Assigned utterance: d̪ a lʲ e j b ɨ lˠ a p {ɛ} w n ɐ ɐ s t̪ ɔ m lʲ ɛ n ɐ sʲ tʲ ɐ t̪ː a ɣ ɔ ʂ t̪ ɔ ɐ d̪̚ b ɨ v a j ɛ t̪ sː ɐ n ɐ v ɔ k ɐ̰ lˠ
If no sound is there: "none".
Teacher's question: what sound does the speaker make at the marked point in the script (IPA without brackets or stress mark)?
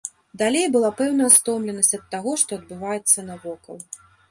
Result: ɛ